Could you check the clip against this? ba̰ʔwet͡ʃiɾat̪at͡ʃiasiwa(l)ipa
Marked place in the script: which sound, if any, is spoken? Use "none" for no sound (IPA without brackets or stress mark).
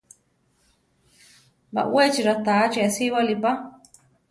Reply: l